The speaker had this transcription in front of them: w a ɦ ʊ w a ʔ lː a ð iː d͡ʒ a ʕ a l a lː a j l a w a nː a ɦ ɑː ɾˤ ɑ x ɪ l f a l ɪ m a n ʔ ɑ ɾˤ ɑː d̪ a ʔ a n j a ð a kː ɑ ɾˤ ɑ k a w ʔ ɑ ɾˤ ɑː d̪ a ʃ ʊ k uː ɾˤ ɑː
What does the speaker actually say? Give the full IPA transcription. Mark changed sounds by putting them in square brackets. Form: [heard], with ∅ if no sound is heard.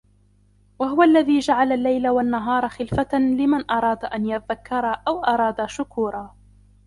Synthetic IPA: w a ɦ ʊ w a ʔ lː a ð iː d͡ʒ a ʕ a l a lː a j l a w a nː a ɦ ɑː ɾˤ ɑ x ɪ l f a l ɪ m a n ʔ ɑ ɾˤ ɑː d̪ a ʔ a n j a ð a kː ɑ ɾˤ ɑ [ʔ] a w ʔ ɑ ɾˤ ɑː d̪ a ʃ ʊ k uː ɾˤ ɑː